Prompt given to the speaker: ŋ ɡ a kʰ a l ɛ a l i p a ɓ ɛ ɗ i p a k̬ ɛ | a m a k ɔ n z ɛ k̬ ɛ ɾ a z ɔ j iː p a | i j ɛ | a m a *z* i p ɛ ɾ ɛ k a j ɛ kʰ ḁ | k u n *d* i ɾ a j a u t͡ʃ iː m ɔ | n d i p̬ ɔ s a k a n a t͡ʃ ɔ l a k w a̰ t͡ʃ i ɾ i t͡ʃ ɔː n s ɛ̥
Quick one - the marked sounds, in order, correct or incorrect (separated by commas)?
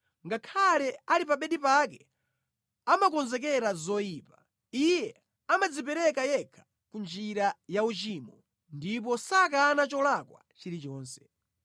incorrect, incorrect